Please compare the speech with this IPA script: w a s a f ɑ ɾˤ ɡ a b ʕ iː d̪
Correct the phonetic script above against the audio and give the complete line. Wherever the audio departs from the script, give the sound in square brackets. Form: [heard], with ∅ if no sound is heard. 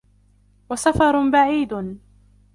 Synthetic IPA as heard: w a s a f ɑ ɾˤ [b] a [∅] ʕ iː d̪